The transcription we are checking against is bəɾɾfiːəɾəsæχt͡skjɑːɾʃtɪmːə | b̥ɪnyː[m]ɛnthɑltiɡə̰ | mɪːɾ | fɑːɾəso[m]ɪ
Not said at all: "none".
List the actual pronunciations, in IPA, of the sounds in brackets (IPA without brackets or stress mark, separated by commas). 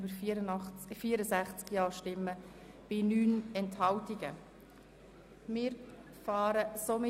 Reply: n, m